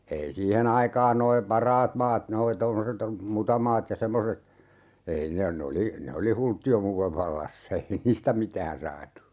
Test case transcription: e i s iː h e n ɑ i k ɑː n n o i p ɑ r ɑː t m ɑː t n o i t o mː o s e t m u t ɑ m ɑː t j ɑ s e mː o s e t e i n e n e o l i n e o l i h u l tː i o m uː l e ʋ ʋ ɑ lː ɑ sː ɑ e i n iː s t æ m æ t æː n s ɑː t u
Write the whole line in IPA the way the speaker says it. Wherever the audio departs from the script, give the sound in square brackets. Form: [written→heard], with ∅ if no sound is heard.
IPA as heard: e i s iː h e n ɑ i k ɑː n n o i p ɑ r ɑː t m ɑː t n o i t o mː o s e t m u t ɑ m ɑː t j ɑ s e mː o s e t e i n e n e o l i n e o l i h u l tː i o m uː l e ʋ ʋ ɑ lː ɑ sː ɑ e i n iː s t æ m [æ→i] t æː n s ɑː t u